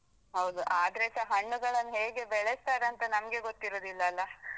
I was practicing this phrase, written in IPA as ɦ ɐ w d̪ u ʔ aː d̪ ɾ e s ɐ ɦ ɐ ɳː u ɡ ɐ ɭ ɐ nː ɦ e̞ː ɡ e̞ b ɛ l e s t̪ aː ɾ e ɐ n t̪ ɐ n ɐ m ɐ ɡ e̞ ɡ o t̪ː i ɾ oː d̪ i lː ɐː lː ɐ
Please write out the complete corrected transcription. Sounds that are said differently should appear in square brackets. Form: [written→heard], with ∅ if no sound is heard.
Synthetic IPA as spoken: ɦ ɐ w d̪ u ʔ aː d̪ ɾ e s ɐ ɦ ɐ ɳː u ɡ ɐ ɭ ɐ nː ɦ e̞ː ɡ e̞ b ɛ [l→ɭ] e s t̪ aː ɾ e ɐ n t̪ ɐ n ɐ m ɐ ɡ e̞ ɡ o t̪ː i ɾ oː d̪ i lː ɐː lː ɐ